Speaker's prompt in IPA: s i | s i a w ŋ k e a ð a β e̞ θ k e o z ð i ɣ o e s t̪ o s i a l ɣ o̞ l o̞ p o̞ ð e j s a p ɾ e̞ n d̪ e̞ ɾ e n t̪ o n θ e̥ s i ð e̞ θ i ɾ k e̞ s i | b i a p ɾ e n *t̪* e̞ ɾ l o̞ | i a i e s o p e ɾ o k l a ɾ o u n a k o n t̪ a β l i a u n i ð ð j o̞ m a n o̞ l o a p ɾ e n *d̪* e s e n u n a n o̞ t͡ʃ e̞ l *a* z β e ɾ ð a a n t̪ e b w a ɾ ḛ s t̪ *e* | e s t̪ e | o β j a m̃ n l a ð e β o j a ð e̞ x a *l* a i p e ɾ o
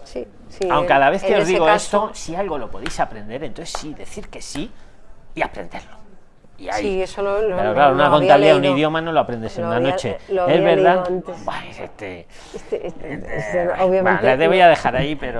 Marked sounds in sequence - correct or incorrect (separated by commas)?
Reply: incorrect, correct, incorrect, correct, incorrect